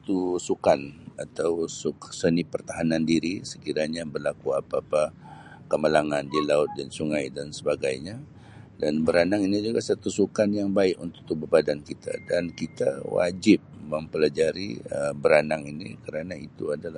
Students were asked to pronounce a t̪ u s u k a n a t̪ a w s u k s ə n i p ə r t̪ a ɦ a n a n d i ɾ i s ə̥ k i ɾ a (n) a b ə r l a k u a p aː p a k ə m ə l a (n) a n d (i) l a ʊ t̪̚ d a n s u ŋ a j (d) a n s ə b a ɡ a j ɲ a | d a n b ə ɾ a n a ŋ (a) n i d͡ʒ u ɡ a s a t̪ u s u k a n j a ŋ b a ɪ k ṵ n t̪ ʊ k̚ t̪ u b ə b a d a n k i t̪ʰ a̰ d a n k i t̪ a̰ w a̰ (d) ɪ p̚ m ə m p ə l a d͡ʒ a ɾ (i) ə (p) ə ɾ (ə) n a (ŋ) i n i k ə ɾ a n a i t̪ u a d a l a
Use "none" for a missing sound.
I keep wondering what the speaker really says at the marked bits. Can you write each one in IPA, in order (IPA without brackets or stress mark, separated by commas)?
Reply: ɲ, ŋ, i, d, i, d͡ʒ, i, b, a, ŋ